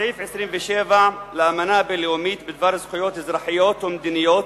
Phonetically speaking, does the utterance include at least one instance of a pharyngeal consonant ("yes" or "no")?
yes